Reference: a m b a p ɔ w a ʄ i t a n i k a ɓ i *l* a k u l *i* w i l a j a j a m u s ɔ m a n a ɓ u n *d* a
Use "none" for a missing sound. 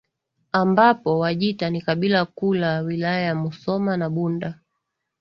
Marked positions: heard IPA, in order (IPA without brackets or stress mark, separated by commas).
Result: l, a, d